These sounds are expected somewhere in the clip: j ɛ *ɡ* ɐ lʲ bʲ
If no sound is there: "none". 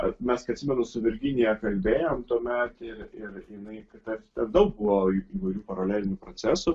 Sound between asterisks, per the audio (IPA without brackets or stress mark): k